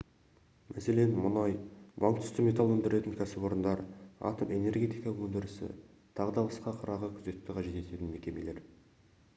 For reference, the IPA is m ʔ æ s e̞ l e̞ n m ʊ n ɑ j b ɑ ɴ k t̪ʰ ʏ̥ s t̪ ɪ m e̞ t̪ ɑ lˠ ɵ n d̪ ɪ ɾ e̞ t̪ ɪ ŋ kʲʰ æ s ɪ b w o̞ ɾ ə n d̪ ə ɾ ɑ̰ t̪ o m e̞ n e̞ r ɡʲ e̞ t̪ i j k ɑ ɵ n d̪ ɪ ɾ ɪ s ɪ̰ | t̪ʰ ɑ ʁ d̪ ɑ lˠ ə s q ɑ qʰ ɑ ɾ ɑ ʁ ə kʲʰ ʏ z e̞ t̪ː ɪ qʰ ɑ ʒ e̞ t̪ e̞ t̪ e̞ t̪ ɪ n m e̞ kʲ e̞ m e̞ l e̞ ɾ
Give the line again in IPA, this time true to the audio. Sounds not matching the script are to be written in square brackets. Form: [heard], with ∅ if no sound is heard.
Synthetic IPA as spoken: m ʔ æ s e̞ l e̞ n m ʊ n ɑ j b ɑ [ŋ] k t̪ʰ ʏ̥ s t̪ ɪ m e̞ t̪ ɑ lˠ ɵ n d̪ ɪ ɾ e̞ t̪ ɪ ŋ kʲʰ æ s ɪ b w o̞ ɾ ə n d̪ [ɑ] ɾ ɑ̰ t̪ o m e̞ n e̞ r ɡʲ e̞ t̪ i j k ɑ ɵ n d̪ ɪ ɾ ɪ s ɪ̰ | t̪ʰ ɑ ʁ d̪ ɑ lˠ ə s q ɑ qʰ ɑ ɾ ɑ ʁ ə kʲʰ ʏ z e̞ t̪ː ɪ qʰ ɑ ʒ e̞ t̪ e̞ t̪ e̞ t̪ ɪ n m e̞ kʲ e̞ m e̞ l e̞ ɾ